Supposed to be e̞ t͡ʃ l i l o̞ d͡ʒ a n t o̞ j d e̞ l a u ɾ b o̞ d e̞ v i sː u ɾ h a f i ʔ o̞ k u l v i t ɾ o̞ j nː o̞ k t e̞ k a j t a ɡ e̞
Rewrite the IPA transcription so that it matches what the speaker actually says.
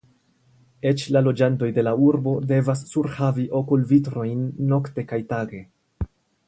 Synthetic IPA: e̞ t͡ʃ l a l o̞ d͡ʒ a n t o̞ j d e̞ l a u ɾ b o̞ d e̞ v a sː u ɾ h a v i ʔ o̞ k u l v i t ɾ o̞ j nː o̞ k t e̞ k a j t a ɡ e̞